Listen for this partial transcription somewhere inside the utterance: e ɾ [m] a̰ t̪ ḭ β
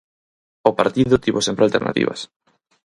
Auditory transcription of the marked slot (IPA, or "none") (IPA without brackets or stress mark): n